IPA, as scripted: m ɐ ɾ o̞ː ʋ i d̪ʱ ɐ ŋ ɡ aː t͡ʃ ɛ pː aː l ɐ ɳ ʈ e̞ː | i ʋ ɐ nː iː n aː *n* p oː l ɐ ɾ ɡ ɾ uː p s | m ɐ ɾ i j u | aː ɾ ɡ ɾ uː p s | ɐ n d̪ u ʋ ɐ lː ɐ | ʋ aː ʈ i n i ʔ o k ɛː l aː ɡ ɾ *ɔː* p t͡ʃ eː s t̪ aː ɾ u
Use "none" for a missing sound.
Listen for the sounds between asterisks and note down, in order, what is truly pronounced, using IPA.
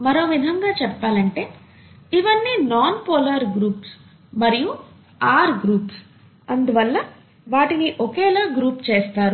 n, uː

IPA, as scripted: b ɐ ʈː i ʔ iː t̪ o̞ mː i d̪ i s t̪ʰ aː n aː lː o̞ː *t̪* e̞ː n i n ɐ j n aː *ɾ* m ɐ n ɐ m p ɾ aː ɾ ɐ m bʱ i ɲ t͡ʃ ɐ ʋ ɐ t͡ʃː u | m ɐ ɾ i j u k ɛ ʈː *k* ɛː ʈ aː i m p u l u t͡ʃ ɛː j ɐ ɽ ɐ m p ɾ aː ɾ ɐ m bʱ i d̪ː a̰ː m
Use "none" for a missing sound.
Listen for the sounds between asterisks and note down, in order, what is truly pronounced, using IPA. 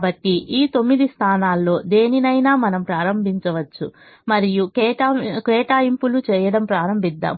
d̪, none, k

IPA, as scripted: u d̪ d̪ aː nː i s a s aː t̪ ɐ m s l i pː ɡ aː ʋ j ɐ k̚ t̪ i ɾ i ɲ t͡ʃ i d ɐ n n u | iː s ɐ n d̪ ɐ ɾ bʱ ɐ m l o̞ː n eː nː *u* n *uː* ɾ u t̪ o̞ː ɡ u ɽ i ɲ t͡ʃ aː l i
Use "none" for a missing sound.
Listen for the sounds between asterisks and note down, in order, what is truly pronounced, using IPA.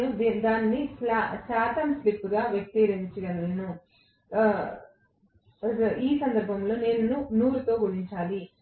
u, uː

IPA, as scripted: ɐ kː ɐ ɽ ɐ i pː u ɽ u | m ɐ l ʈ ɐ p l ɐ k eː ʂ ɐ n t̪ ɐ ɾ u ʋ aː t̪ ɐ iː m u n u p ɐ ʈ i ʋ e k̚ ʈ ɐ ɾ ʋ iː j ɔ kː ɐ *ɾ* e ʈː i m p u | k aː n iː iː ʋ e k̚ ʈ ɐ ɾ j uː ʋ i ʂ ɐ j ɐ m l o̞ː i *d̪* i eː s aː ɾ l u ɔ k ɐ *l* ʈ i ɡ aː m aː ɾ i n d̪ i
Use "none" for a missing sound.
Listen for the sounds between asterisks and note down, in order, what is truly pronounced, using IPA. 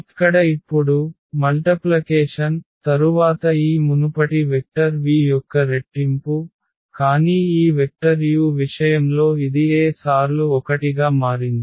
ɾ, d̪, none

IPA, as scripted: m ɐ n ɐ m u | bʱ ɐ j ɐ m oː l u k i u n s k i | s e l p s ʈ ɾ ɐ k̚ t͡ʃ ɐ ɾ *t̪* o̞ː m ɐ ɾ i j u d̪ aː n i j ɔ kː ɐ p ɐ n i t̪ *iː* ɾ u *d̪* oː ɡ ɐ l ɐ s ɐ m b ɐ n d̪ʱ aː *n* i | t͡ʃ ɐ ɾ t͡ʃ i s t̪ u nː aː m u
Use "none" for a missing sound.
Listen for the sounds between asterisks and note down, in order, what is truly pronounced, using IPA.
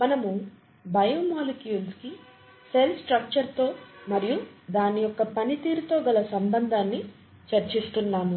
t̪, iː, t̪, nː

